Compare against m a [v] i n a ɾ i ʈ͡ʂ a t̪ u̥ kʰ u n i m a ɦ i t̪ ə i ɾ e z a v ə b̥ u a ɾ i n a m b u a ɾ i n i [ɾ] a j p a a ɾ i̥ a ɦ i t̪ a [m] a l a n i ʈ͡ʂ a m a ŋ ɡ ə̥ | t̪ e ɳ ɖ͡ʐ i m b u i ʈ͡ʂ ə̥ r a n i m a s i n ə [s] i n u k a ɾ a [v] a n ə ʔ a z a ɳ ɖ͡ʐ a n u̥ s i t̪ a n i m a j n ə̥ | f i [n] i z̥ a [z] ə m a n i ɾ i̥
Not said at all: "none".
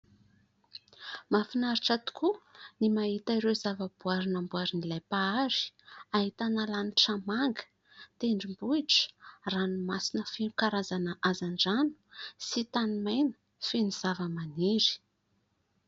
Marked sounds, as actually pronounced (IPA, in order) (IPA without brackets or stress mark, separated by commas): f, l, n, f, z, n, v